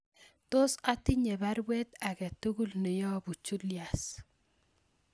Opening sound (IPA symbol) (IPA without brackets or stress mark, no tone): t